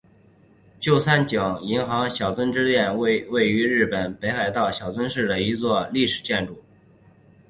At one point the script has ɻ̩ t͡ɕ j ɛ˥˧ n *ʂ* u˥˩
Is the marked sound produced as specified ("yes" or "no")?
no